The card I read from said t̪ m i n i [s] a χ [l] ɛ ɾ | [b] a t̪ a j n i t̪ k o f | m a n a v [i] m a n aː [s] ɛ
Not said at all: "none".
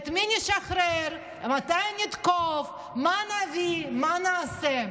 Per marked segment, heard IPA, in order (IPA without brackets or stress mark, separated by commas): ʃ, ɾ, m, i, s